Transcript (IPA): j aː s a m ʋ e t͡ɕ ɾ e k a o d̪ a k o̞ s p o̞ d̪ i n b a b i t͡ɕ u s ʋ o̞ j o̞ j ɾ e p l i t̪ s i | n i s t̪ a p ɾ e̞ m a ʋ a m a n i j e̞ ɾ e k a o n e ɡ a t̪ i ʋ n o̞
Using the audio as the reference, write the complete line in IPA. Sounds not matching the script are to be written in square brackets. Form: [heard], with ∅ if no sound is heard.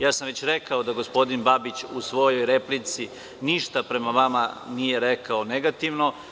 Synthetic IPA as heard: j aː s a m ʋ e t͡ɕ ɾ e k a o d̪ a [ɡ] o̞ s p o̞ d̪ i n b a b i t͡ɕ u s ʋ o̞ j o̞ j ɾ e p l i t̪ s i | n i [ʃ] t̪ a p ɾ e̞ m a ʋ a m a n i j e̞ ɾ e k a o n e ɡ a t̪ i ʋ n o̞